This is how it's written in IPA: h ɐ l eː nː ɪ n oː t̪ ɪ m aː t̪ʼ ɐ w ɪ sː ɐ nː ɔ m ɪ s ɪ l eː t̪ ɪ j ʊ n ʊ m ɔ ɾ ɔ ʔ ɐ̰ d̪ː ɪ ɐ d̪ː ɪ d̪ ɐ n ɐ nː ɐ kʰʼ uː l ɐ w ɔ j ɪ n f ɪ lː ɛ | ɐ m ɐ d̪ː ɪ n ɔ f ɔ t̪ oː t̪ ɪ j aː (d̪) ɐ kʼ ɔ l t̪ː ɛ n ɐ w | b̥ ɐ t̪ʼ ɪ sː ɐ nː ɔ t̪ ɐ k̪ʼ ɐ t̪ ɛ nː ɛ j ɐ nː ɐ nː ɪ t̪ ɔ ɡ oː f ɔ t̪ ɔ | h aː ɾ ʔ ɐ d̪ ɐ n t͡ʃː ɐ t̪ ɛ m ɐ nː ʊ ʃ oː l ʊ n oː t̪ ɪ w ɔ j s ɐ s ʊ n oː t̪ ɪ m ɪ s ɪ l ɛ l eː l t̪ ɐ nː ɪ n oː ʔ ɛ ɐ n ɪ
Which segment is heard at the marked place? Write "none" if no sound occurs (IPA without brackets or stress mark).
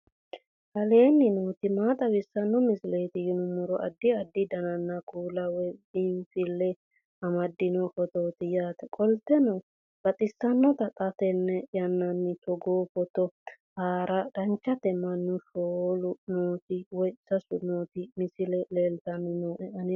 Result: t̪